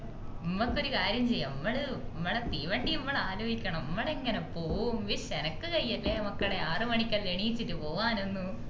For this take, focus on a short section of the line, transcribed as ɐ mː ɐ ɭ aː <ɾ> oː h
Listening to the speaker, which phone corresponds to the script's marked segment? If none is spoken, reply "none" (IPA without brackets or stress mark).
l